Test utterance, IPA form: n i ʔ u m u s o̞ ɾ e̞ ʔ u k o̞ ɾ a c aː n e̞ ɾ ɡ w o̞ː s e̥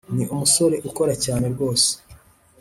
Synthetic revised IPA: n i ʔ u m u s o̞ ɾ e̞ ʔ u k o̞ ɾ a c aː n e̞ ɾ ɡ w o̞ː s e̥